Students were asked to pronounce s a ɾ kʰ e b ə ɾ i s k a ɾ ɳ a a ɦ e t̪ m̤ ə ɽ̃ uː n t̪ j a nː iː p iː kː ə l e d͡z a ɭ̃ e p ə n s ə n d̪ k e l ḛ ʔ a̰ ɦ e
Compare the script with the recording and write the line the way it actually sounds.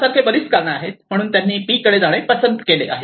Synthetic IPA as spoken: s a ɾ kʰ e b ə ɾ i s k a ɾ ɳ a a ɦ e t̪ m̤ ə ɽ̃ uː n t̪ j a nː iː p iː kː ə ɽ e d͡z a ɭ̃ e p ə s ə n d̪ k e l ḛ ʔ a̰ ɦ e